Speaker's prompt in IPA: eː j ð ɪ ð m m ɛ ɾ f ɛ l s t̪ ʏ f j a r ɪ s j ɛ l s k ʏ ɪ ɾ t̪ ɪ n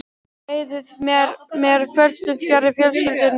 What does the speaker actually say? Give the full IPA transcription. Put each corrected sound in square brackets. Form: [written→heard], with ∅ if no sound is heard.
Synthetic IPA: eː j ð ɪ ð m m ɛ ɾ f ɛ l s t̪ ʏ f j a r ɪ [s→f] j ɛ l s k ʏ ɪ [ɾ→l] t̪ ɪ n